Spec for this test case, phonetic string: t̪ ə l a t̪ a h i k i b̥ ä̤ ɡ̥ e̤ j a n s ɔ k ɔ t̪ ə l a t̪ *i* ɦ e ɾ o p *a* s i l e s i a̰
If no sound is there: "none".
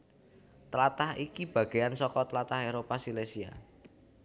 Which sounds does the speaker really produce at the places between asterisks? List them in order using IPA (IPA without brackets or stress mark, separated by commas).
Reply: a, a